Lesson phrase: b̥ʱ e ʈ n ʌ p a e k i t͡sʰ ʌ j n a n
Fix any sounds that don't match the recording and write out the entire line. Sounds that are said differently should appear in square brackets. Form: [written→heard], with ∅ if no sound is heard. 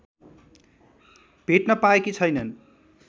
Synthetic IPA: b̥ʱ e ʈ n ʌ p a e k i t͡sʰ ʌ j n [a→ʌ] n